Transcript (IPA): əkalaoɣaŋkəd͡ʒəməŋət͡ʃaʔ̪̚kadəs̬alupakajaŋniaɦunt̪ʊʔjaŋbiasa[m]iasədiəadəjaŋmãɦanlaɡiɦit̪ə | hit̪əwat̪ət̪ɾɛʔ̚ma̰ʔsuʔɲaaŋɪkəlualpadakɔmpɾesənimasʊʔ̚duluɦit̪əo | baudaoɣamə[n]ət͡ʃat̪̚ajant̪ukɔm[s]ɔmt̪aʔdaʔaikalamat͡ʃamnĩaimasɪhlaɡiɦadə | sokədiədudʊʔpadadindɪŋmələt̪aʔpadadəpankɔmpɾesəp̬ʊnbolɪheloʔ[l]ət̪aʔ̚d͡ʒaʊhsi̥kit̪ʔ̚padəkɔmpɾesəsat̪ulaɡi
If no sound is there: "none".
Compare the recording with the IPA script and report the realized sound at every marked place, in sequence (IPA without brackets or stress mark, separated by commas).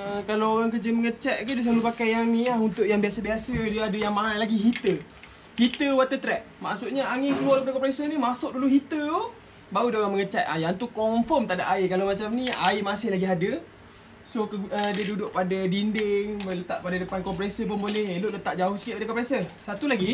b, ŋ, f, l